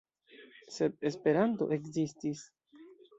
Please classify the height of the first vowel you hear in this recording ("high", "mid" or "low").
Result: mid